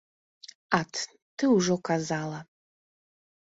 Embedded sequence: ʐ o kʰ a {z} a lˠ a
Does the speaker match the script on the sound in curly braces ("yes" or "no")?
yes